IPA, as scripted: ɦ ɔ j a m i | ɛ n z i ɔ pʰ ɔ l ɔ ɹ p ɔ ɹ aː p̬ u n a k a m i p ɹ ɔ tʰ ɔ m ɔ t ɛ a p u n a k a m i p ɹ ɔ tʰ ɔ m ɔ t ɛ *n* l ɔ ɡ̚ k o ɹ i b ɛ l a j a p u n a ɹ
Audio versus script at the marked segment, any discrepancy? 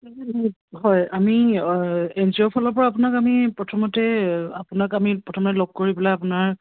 yes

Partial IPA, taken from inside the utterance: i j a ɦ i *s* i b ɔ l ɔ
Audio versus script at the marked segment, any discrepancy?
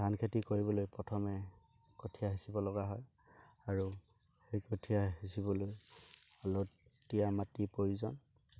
no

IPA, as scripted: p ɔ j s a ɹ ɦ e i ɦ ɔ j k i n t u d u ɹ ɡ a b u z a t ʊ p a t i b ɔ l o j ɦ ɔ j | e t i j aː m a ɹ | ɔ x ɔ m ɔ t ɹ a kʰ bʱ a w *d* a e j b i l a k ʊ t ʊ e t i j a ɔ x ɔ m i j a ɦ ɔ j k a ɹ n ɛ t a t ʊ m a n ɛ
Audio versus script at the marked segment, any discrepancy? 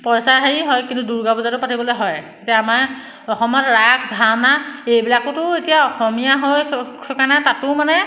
yes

